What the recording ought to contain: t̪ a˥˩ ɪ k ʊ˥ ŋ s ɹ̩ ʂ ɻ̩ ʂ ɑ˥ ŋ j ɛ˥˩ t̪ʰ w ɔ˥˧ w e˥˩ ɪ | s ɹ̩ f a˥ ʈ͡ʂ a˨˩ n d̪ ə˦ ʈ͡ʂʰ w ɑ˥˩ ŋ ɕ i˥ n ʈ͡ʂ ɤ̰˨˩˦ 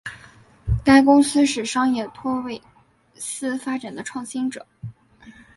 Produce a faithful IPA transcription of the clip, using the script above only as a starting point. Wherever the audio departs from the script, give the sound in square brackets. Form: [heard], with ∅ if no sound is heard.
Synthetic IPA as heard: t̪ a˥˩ ɪ k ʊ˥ ŋ s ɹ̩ ʂ ɻ̩ ʂ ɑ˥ ŋ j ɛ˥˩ t̪ʰ w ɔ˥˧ w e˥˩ ɪ | s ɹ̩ f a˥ ʈ͡ʂ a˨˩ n d̪ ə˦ ʈ͡ʂʰ w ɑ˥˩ ŋ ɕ i˥ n ʈ͡ʂ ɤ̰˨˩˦